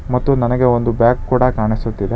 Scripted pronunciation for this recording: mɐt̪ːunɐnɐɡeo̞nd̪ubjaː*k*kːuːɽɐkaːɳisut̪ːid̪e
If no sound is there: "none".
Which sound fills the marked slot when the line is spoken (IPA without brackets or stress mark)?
k